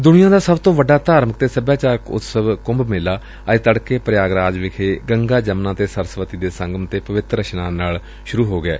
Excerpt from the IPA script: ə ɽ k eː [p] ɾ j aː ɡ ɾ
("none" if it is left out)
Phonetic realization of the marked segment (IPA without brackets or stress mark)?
p